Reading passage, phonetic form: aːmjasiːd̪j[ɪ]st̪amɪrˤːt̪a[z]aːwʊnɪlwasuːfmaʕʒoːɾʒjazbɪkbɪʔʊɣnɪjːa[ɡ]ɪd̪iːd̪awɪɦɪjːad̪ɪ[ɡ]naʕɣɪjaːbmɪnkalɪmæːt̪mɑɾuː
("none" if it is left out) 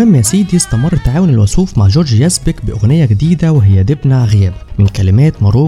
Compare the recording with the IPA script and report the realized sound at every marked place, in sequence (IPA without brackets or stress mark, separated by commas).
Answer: ɪ, ʕ, ɡ, b